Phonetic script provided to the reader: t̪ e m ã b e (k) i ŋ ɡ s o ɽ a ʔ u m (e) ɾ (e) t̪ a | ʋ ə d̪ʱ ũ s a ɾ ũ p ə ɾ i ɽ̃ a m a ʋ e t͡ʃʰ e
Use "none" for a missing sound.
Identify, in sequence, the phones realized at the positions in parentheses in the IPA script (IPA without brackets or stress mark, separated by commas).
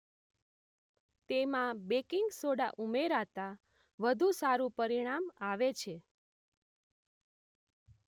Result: k, e, a